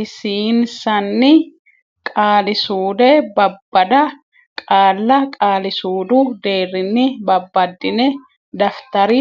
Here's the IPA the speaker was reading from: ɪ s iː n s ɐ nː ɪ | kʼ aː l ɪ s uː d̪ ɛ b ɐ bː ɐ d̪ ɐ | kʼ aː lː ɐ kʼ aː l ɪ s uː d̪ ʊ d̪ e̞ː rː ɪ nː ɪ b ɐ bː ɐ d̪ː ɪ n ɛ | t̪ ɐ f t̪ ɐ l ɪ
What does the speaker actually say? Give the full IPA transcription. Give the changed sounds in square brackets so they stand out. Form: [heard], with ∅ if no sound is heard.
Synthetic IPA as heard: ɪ s iː n s ɐ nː ɪ | kʼ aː l ɪ s uː d̪ ɛ b ɐ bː ɐ d̪ ɐ | kʼ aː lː ɐ kʼ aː l ɪ s uː d̪ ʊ d̪ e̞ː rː ɪ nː ɪ b ɐ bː ɐ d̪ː ɪ n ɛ | [d̪] ɐ f t̪ ɐ [ɾ] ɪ

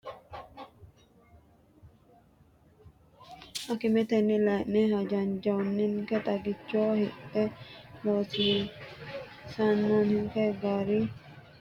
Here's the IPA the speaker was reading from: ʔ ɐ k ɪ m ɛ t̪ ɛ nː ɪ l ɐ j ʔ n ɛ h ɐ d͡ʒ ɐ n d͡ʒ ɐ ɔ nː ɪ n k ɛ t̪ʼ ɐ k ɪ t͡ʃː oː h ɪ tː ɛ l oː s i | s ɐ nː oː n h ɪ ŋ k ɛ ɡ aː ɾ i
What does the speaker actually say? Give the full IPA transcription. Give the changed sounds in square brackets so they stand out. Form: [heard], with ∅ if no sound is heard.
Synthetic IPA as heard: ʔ ɐ k ɪ m ɛ t̪ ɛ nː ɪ l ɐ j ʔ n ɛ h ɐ d͡ʒ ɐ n d͡ʒ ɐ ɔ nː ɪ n k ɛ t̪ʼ ɐ [ɡ] ɪ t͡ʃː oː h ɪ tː ɛ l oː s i | s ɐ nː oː n h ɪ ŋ k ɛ ɡ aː ɾ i

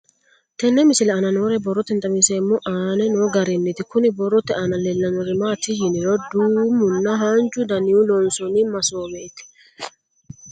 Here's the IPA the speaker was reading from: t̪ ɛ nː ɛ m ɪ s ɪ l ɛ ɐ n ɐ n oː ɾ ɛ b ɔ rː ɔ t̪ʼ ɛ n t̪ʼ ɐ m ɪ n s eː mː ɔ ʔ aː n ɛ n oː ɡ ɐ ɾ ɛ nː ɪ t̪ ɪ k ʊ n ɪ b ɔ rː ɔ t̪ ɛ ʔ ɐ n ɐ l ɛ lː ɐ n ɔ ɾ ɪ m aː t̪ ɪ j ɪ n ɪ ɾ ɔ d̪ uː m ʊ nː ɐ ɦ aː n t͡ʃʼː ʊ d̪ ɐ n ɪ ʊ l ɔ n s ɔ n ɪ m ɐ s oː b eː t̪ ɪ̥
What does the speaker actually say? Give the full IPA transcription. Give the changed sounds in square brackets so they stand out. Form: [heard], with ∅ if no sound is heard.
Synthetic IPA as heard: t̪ ɛ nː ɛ m ɪ s ɪ l ɛ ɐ n ɐ n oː ɾ ɛ b ɔ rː ɔ [t̪] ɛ n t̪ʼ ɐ m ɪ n s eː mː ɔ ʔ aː n ɛ n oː ɡ ɐ ɾ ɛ nː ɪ t̪ ɪ k ʊ n ɪ b ɔ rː ɔ t̪ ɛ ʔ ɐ n ɐ l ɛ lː ɐ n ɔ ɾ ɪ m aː t̪ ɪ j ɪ n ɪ ɾ ɔ d̪ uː m ʊ nː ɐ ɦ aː n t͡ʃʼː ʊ d̪ ɐ n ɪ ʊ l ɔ n s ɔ n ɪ m ɐ s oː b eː t̪ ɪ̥

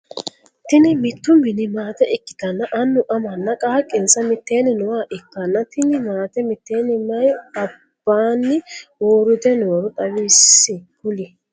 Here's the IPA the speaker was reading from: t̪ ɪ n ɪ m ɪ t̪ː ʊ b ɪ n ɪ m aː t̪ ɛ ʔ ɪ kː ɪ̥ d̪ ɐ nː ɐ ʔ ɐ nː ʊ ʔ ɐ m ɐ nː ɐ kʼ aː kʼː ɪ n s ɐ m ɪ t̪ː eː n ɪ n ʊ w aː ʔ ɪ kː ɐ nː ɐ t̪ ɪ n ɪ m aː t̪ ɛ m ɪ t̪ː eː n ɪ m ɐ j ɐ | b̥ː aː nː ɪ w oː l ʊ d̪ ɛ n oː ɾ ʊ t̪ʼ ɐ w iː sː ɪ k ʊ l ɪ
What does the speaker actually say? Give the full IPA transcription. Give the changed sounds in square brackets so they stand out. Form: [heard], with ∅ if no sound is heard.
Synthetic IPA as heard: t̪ ɪ n ɪ m ɪ t̪ː ʊ [m] ɪ n ɪ m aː t̪ ɛ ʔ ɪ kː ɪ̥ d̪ ɐ nː ɐ ʔ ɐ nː ʊ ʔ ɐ m ɐ nː ɐ kʼ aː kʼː ɪ n s ɐ m ɪ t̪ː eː n ɪ n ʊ w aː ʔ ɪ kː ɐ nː ɐ t̪ ɪ n ɪ m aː t̪ ɛ m ɪ t̪ː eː n ɪ m ɐ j ɐ | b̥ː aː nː ɪ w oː [ɾ] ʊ d̪ ɛ n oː ɾ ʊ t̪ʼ ɐ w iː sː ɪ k ʊ l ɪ

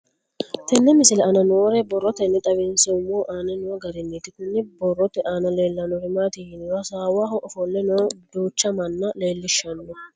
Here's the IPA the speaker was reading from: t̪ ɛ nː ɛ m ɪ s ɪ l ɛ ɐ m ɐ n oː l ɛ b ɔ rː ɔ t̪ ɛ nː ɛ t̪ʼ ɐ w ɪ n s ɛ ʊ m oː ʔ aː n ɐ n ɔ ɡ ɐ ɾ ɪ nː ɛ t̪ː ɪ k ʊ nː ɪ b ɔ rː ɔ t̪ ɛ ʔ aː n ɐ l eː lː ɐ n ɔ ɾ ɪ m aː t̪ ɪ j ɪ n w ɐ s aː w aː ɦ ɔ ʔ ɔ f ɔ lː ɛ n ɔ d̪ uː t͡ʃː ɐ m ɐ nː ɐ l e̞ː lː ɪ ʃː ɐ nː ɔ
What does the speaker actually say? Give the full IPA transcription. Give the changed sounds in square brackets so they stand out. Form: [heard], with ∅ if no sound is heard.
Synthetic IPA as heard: t̪ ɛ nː ɛ m ɪ s ɪ l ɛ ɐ [n] ɐ n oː [ɾ] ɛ b ɔ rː ɔ t̪ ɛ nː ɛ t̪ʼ ɐ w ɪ n s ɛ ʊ m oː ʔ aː n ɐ n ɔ ɡ ɐ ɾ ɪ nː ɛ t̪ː ɪ k ʊ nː ɪ b ɔ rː ɔ t̪ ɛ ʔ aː n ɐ l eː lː ɐ n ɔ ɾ ɪ m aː t̪ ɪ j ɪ n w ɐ s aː w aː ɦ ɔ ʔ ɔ f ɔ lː ɛ n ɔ d̪ uː t͡ʃː ɐ m ɐ nː ɐ l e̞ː lː ɪ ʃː ɐ nː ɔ

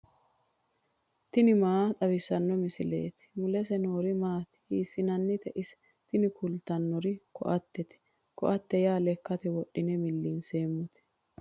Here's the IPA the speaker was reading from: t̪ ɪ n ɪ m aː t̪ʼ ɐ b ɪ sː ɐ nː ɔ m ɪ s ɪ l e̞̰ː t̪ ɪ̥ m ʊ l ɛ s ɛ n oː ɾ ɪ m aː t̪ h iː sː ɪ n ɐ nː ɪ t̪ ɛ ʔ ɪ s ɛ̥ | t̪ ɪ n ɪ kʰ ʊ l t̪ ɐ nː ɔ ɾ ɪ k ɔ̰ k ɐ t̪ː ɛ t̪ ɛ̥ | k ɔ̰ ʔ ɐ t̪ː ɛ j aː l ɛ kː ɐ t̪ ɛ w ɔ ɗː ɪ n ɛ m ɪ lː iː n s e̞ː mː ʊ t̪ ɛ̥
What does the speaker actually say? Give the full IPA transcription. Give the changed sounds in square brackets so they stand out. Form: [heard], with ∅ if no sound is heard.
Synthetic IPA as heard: t̪ ɪ n ɪ m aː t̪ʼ ɐ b ɪ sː ɐ nː ɔ m ɪ s ɪ l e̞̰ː t̪ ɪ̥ m ʊ l ɛ s ɛ n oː ɾ ɪ m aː t̪ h iː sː ɪ n ɐ nː ɪ t̪ ɛ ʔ ɪ s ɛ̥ | t̪ ɪ n ɪ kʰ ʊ l t̪ ɐ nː ɔ ɾ ɪ k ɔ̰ [ʔ] ɐ t̪ː ɛ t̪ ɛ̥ | k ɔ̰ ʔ ɐ t̪ː ɛ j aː l ɛ kː ɐ t̪ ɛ w ɔ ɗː ɪ n ɛ m ɪ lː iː n s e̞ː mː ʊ t̪ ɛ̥

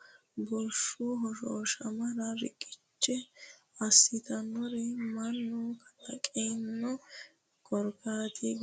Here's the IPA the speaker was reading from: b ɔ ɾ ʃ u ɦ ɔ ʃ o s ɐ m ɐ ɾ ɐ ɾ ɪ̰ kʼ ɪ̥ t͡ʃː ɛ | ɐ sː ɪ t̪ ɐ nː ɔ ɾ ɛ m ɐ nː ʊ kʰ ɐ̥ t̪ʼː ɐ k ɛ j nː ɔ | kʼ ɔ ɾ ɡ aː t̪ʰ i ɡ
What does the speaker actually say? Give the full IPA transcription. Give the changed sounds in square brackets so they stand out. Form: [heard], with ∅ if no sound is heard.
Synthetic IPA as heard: b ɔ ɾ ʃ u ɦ ɔ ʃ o [ʃ] ɐ m ɐ ɾ ɐ ɾ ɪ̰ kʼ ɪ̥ t͡ʃː ɛ | ɐ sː ɪ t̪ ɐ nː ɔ ɾ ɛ m ɐ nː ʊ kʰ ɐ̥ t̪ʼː ɐ [kʼ] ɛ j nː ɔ | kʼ ɔ ɾ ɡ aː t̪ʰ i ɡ

